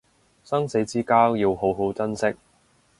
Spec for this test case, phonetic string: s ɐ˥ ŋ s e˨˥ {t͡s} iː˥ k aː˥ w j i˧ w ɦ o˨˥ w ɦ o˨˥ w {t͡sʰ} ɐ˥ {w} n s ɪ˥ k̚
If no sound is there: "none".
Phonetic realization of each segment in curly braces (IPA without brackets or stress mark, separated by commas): t͡s, t͡s, none